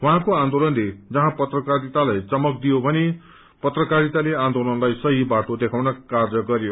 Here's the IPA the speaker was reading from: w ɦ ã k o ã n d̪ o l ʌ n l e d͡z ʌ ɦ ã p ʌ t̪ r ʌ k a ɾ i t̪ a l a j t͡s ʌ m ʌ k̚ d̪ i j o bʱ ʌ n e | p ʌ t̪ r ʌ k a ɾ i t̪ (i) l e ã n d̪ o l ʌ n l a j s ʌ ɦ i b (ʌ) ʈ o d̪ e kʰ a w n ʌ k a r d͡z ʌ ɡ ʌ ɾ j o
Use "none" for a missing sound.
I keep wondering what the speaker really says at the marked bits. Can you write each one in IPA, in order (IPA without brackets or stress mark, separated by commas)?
a, a